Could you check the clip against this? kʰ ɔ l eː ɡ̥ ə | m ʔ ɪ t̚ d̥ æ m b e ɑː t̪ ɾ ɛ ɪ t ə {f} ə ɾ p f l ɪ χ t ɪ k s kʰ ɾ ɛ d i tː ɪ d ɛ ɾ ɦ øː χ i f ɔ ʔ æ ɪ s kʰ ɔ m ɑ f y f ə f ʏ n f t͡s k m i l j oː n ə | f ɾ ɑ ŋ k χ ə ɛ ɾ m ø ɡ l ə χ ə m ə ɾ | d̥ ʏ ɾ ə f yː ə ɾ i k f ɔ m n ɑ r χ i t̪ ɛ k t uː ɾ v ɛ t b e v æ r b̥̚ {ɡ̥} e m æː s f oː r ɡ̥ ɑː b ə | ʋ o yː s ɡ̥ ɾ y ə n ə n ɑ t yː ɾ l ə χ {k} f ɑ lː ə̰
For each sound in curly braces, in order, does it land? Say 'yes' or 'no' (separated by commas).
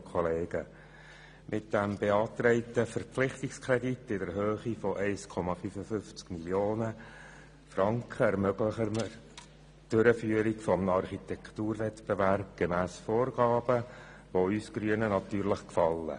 yes, yes, yes